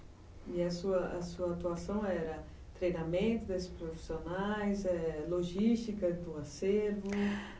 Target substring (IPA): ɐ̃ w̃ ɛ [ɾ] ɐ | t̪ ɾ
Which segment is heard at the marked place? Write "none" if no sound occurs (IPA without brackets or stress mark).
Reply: ɾ